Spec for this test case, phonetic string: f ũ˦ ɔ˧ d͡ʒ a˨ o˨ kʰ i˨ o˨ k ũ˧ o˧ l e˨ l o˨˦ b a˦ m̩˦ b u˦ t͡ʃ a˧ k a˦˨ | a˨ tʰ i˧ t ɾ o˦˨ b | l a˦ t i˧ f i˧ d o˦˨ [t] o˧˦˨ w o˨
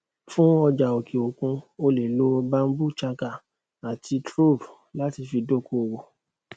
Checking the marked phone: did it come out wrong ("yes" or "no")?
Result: yes